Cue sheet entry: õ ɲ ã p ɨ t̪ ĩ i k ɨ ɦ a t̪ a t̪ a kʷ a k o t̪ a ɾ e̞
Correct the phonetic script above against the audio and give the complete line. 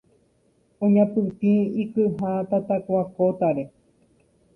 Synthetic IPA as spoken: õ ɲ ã p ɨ t̪ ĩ i k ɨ ɦ a t̪ a t̪ a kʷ a k o t̪ a ɾ e̞